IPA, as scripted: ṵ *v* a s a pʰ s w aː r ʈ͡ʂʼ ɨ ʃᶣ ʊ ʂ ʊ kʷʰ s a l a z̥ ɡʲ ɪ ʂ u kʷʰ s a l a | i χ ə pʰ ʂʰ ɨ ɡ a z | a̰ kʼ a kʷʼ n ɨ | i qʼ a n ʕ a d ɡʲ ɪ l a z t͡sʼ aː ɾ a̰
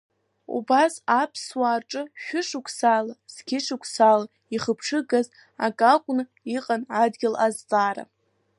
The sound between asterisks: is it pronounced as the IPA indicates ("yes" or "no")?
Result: no